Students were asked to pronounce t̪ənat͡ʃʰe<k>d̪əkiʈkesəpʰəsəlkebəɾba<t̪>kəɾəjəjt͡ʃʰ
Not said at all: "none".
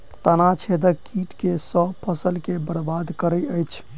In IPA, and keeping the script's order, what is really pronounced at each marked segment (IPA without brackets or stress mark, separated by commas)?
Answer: none, d̪